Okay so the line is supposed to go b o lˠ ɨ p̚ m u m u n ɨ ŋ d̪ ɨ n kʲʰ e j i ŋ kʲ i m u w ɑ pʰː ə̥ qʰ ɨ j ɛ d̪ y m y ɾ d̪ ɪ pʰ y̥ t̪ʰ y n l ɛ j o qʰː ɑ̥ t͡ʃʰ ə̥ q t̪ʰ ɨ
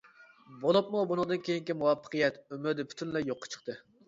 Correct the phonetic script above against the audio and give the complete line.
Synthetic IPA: b o lˠ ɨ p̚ m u b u n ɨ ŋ d̪ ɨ n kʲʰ e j i ŋ kʲ i m u w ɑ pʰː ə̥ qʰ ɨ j ɛ t̪ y m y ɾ d̪ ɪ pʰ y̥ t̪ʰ y n l ɛ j o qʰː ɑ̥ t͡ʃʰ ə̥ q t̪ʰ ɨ